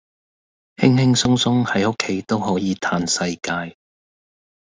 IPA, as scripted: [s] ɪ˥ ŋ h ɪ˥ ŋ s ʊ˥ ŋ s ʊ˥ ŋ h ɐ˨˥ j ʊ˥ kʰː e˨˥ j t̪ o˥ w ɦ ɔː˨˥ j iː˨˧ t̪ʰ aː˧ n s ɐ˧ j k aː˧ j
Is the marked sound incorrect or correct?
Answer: incorrect